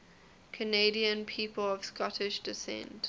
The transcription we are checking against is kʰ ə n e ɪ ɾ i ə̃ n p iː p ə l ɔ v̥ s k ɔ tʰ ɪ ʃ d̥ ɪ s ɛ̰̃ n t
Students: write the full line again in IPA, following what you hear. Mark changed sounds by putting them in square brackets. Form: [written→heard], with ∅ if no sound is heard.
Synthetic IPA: kʰ ə n e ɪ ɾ i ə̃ n [p→pʰ] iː p ə l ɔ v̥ s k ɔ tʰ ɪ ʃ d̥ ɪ s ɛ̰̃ n t